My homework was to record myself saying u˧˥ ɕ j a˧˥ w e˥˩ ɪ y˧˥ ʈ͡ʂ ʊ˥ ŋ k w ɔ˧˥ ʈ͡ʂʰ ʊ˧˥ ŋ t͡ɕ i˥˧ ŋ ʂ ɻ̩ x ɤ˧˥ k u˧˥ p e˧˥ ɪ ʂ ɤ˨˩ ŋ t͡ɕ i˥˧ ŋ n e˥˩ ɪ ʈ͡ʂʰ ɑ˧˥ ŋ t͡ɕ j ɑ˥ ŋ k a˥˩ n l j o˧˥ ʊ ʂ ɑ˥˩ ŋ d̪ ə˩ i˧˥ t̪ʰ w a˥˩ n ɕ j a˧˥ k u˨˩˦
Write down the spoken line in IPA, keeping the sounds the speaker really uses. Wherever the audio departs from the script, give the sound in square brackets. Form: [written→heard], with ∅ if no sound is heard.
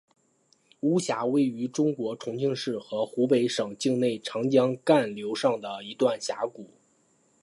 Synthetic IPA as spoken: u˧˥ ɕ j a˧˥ w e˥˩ ɪ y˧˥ ʈ͡ʂ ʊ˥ ŋ k w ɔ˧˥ ʈ͡ʂʰ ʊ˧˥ ŋ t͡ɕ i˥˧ ŋ ʂ ɻ̩ x ɤ˧˥ [k→x] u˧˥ p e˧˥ ɪ ʂ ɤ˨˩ ŋ t͡ɕ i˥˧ ŋ n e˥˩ ɪ ʈ͡ʂʰ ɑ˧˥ ŋ t͡ɕ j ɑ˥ ŋ k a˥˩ n l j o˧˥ ʊ ʂ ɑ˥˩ ŋ d̪ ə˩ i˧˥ [t̪ʰ→t̪] w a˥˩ n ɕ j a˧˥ k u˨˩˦